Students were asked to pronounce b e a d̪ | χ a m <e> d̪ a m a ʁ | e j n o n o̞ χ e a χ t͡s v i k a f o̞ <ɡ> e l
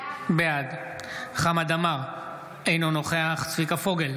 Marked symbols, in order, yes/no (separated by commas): no, yes